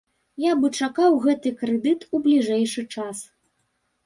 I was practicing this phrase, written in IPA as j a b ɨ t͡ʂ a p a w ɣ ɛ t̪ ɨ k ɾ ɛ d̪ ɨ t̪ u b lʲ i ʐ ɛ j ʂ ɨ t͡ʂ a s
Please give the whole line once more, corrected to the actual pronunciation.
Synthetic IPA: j a b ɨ t͡ʂ a k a w ɣ ɛ t̪ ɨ k ɾ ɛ d̪ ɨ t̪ u b lʲ i ʐ ɛ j ʂ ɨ t͡ʂ a s